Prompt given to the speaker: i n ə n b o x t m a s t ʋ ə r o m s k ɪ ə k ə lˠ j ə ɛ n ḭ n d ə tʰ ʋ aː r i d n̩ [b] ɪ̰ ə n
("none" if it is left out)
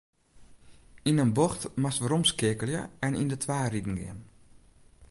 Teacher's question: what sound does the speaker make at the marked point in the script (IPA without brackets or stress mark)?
ɡ